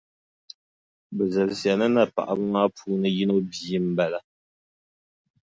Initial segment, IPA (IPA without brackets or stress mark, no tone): b